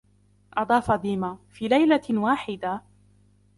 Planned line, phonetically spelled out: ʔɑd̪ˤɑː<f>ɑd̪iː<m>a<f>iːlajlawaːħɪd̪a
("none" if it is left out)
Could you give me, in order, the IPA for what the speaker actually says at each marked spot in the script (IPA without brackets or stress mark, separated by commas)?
f, m, f